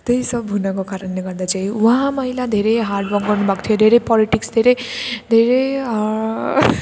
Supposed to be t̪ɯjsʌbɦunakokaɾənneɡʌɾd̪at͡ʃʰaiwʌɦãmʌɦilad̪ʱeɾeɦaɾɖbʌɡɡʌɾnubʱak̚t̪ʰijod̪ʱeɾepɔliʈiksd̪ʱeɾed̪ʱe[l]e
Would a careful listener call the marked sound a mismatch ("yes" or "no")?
yes